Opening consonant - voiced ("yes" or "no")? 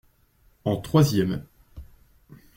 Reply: no